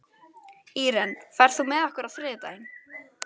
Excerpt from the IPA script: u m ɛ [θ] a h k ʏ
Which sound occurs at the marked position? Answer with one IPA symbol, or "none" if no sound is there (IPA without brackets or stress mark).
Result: ð